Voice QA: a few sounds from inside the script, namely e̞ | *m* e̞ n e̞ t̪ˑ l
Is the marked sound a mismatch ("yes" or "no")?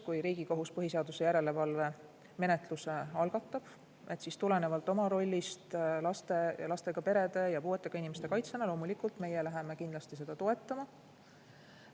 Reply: no